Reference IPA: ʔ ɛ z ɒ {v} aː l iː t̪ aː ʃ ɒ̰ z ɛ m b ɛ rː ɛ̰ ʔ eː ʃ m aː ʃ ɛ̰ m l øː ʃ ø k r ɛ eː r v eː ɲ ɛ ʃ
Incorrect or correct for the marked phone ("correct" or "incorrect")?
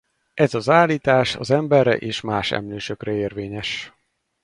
incorrect